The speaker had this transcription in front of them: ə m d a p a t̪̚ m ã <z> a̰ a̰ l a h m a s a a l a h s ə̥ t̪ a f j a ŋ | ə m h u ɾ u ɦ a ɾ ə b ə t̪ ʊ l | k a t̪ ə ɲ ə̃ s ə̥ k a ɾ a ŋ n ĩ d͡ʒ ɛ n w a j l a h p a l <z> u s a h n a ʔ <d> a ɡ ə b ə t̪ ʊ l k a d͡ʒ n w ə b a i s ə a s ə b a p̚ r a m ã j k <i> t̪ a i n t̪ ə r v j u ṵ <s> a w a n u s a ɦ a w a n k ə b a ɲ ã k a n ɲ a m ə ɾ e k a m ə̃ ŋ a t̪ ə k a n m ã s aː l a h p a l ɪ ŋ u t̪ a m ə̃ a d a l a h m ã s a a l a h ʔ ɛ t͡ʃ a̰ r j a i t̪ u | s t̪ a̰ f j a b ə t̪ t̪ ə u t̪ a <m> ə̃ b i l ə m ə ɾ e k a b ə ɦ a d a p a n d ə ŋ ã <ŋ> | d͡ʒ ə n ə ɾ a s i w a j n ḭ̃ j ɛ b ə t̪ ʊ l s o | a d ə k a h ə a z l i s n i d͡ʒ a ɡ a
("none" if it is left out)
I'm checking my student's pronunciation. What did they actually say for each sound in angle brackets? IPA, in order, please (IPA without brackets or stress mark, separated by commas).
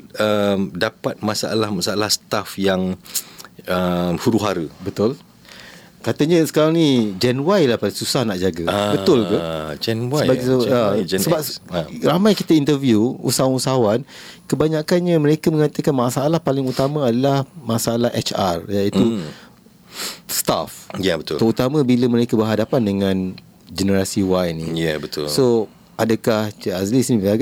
s, s, d͡ʒ, i, s, m, n